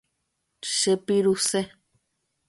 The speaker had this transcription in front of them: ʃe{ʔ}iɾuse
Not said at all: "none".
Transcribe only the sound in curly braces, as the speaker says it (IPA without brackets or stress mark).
p